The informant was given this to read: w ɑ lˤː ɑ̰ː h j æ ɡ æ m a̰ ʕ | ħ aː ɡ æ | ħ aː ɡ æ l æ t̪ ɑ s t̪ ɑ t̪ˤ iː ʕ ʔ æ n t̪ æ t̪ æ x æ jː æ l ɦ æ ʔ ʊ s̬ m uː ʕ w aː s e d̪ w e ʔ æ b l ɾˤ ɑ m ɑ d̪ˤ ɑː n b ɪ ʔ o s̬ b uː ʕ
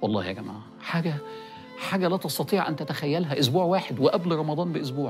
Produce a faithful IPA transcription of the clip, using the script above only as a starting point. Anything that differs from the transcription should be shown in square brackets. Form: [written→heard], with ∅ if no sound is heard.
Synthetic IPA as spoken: w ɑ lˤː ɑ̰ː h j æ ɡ æ m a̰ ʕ | ħ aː ɡ æ | ħ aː ɡ æ l æ t̪ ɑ s t̪ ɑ t̪ˤ iː ʕ ʔ æ n t̪ æ t̪ æ x æ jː æ l ɦ æ ʔ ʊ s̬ [m→b] uː ʕ w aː [s→ħ] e d̪ w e ʔ æ b l ɾˤ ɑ m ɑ d̪ˤ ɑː n b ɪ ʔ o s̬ b uː ʕ